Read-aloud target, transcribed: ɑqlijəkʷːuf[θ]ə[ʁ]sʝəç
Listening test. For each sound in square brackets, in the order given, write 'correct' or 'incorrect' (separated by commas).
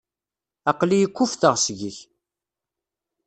correct, correct